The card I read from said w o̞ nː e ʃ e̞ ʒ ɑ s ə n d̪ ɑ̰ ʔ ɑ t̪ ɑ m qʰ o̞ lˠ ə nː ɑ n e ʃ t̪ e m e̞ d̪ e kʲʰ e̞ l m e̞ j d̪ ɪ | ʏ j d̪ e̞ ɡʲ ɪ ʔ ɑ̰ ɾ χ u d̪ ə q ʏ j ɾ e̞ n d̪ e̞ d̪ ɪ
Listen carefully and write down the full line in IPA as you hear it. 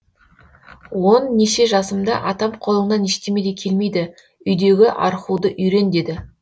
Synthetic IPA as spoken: w o̞ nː e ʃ e̞ ʒ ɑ s ə m d̪ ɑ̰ ʔ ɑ t̪ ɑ m qʰ o̞ lˠ ə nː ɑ n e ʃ t̪ e m e̞ d̪ e kʲʰ e̞ l m e̞ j d̪ ɪ | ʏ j d̪ e̞ ɡʲ ɪ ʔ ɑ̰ ɾ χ u d̪ ə ʔ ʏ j ɾ e̞ n d̪ e̞ d̪ ɪ